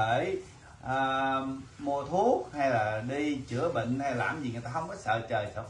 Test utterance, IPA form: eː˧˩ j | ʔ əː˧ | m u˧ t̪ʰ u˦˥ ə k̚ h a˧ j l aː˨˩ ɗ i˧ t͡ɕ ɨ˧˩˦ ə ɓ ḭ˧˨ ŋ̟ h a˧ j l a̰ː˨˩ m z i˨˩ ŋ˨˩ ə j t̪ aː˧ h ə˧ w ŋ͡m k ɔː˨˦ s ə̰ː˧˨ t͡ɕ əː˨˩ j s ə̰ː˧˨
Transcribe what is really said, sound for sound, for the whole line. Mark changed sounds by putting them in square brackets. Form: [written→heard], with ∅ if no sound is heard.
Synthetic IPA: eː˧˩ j | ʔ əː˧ | m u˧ t̪ʰ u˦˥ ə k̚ h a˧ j l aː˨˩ ɗ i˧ t͡ɕ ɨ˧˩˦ ə ɓ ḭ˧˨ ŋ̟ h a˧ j l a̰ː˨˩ m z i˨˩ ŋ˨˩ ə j t̪ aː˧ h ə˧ w ŋ͡m k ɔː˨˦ s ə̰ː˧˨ t͡ɕ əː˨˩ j s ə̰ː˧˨